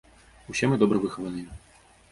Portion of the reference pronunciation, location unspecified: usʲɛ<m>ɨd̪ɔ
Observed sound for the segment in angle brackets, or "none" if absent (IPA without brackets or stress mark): m